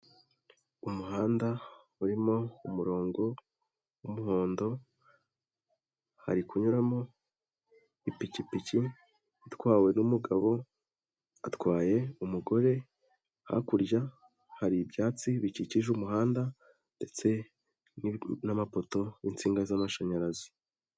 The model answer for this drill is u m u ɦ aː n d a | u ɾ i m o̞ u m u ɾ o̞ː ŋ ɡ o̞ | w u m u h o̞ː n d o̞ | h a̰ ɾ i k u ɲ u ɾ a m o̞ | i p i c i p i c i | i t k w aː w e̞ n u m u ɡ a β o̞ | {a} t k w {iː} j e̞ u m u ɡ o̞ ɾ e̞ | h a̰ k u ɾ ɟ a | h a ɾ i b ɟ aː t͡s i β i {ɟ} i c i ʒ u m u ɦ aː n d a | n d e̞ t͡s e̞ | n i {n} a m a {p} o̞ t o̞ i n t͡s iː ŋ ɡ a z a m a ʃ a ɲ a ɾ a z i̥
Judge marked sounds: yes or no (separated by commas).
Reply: yes, no, no, yes, yes